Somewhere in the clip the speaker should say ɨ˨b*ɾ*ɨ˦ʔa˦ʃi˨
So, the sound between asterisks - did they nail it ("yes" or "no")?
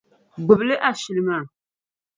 no